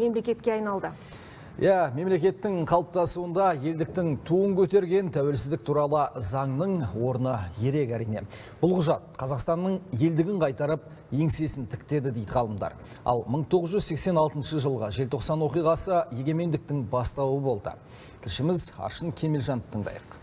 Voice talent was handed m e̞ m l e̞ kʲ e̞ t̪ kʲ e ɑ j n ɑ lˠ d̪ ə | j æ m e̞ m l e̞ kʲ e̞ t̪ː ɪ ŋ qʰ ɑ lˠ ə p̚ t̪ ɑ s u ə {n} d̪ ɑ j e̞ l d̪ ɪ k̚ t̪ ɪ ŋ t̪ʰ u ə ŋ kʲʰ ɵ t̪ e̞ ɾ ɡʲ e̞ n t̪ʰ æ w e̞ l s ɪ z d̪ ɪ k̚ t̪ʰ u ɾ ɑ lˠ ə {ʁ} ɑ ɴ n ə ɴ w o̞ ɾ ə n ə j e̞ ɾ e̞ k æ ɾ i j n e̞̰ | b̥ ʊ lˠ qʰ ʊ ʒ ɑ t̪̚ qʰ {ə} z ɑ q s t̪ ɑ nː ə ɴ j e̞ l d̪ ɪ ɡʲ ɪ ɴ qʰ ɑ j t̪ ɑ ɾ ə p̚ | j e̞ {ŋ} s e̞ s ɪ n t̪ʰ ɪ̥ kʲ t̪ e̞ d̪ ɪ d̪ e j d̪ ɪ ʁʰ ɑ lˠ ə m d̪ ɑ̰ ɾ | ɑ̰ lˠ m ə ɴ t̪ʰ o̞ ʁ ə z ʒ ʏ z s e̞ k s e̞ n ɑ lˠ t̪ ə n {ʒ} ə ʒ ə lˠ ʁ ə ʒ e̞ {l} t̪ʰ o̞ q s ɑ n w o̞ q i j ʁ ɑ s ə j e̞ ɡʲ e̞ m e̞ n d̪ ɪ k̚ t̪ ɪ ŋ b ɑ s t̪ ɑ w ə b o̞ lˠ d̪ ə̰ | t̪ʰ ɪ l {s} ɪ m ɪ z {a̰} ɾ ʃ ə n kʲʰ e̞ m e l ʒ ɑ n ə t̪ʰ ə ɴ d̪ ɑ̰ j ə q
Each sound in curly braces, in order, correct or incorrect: correct, incorrect, incorrect, correct, incorrect, correct, incorrect, incorrect

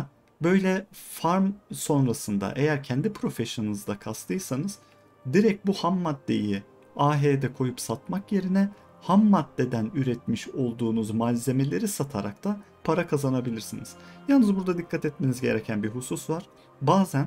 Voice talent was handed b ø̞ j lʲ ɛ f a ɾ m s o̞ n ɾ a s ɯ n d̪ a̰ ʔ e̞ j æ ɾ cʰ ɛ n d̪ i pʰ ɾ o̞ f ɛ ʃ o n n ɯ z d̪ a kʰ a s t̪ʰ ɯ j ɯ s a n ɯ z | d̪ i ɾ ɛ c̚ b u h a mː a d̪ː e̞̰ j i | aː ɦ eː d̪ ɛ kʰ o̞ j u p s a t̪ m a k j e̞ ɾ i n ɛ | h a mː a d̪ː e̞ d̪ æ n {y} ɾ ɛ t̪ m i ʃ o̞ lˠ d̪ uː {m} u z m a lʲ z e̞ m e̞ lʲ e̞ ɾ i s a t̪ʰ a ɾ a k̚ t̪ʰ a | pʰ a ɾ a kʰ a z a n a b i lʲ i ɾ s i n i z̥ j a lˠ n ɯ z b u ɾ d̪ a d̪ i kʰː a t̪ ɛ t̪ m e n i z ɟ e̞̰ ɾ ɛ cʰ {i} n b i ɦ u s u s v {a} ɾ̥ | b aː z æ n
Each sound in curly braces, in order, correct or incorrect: correct, incorrect, incorrect, correct

